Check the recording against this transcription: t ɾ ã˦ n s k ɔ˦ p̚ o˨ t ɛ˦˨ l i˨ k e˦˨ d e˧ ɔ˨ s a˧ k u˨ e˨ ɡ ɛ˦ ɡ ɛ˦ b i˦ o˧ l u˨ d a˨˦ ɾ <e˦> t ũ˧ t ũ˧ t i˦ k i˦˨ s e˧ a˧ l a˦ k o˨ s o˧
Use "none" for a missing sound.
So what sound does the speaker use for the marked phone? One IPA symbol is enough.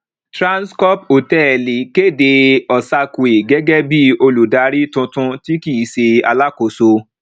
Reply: i˦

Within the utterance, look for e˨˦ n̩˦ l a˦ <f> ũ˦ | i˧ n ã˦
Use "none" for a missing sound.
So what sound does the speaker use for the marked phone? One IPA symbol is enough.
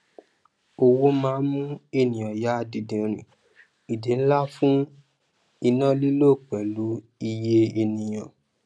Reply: f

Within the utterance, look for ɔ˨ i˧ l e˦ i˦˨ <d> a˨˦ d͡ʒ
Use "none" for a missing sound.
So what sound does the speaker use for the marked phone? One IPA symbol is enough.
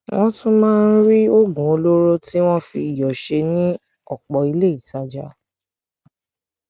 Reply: t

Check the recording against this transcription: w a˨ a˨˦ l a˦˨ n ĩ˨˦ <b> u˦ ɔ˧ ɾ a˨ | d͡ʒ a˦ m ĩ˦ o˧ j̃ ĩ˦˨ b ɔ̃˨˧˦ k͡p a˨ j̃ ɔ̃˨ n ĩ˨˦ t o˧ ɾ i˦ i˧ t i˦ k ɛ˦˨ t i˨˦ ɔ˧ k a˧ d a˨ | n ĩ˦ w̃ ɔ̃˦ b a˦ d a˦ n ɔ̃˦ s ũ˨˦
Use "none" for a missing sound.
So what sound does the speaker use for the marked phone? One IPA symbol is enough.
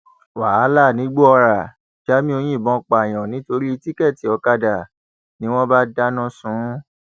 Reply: ɡ͡b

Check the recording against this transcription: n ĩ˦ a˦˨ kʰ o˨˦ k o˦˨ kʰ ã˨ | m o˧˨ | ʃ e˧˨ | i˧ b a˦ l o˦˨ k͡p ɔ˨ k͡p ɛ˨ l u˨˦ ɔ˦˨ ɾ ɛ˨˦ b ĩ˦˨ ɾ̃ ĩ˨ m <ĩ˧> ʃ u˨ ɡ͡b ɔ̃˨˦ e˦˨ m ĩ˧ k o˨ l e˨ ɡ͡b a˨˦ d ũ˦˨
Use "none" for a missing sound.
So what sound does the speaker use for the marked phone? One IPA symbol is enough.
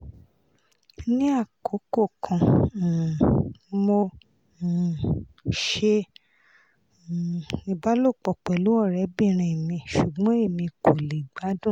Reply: ĩ˧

